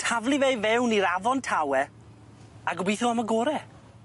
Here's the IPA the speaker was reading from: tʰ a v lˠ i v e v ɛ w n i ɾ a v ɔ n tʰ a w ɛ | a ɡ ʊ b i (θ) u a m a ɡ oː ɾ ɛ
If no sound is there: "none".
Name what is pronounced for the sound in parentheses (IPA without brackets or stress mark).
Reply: θ